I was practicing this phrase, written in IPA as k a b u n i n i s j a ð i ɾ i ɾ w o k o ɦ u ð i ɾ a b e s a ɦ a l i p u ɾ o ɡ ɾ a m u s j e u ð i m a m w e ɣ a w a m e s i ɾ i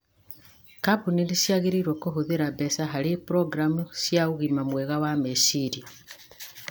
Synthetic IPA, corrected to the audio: k a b u n i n i s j a ɣ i ɾ i ɾ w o k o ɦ u ð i ɾ a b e s a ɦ a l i p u ɾ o ɡ ɾ a m u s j a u ɣ i m a m w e ɣ a w a m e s i ɾ i

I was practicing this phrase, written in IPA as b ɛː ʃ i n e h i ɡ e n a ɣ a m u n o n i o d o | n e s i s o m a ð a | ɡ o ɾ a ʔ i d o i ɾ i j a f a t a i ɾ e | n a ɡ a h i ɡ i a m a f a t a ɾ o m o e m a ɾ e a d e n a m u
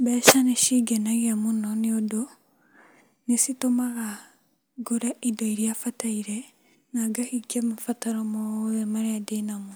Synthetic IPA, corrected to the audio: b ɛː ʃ a n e ʃ i ɡ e n a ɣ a m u n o n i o d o | n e s i t o m a ɣ a | ɡ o ɾ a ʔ i d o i ɾ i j a f a t a i ɾ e | n a ɡ a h i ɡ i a m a f a t a ɾ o m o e m a ɾ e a d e n a m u

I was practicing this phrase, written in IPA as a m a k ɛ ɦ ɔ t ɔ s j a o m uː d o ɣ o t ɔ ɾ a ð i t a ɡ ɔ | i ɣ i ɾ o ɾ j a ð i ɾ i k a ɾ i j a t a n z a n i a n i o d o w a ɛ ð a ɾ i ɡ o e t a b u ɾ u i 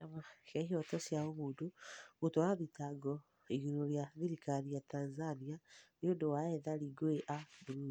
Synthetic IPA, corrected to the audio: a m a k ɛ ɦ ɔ t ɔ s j a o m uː d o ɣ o t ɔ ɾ a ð i t a ɡ ɔ | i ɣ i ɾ o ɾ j a ð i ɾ i k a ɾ i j a t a n z a n i a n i o d o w a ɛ ð a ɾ i ɡ o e ʔ a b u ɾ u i

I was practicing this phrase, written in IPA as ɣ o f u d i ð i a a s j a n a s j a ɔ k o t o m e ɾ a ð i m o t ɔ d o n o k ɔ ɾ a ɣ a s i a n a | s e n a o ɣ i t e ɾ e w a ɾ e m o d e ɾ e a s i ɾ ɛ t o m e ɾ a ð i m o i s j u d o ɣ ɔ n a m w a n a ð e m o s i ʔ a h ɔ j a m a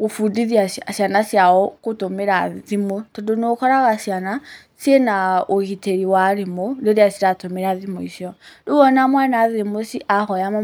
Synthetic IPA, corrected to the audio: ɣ o f u d i ð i a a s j a n a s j a ɔ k o t o m e ɾ a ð i m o t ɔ d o n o k ɔ ɾ a ɣ a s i a n a | s e n a o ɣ i t e ɾ i w a ɾ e m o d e ɾ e a s i ɾ a t o m e ɾ a ð i m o i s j ɔ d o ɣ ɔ n a m w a n a ð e m o s i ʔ a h ɔ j a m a

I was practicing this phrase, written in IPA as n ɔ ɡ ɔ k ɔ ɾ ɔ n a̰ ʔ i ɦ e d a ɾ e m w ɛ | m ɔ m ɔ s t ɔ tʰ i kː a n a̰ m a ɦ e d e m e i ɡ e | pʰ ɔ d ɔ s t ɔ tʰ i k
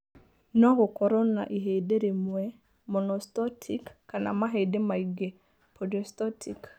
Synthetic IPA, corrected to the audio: n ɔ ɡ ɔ k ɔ ɾ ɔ n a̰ ʔ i ɦ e d e ɾ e m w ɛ | m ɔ n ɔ s t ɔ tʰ i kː a n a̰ m a ɦ e d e m a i ɡ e | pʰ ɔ d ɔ s t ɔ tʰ i k

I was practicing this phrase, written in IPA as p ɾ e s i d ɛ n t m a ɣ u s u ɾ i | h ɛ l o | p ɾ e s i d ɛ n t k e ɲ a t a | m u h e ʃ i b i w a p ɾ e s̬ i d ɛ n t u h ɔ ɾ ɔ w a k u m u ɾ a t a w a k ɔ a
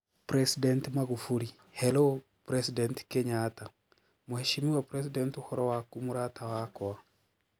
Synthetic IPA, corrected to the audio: p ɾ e s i d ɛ n t m a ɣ u f u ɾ i | h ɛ l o | p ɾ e s i d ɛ n t k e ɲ a t a | m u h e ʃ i m i w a p ɾ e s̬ i d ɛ n t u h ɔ ɾ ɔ w a k u m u ɾ a t a w a k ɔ a

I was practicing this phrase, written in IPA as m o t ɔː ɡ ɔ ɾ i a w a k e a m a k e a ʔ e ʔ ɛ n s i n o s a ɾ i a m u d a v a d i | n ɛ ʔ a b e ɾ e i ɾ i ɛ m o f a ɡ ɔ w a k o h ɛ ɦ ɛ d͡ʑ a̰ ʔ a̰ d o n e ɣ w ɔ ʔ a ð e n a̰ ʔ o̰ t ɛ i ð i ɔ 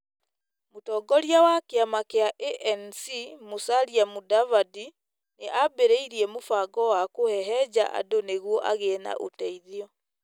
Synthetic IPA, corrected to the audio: m o t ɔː ɡ ɔ ɾ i a w a k e a m a k e a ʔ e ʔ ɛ n s i m o s a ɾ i a m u d a v a d i | n e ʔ a b e ɾ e i ɾ i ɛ m o f a ɡ ɔ w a k o h ɛ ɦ ɛ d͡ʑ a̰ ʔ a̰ d o n e ɣ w ɔ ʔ a ɣ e n a̰ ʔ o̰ t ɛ i ð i ɔ

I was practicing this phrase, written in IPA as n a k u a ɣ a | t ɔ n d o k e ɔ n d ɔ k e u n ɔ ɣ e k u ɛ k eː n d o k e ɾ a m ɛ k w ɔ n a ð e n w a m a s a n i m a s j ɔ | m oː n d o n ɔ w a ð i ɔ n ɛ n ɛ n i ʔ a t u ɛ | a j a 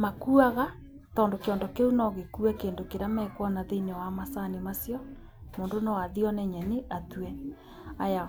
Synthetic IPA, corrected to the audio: m a k u a ɣ a | t ɔ n d o k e ɔ n d ɔ k e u n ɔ ɣ e k u ɛ k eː n d o k e ɾ a m ɛ k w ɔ n a ð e n w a m a s a n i m a s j ɔ | m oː n d o n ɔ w a ð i ɔ n ɛ ɲ ɛ n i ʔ a t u ɛ | a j a

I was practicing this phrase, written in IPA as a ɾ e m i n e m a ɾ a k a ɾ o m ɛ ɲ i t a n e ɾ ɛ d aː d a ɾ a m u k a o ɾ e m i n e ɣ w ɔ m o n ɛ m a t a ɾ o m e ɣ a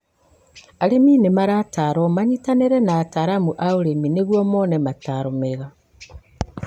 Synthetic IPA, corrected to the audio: a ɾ e m i n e m a ɾ a t a ɾ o m a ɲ i t a n e ɾ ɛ n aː t a ɾ a m u ʔ a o ɾ e m i n e ɣ w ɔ m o n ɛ m a t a ɾ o m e ɣ a

